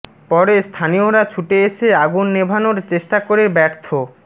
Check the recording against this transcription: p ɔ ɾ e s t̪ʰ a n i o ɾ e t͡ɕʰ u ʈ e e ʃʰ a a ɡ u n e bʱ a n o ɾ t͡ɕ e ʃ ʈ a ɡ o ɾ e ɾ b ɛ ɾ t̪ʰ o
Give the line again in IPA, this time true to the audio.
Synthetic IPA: p ɔ ɾ e s t̪ʰ a n i o ɾ a t͡ɕʰ u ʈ e e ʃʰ e a ɡ u nː e bʱ a n o ɾ t͡ɕ e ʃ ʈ a k o ɾ e ɾ b ɛ ɾ t̪ʰ o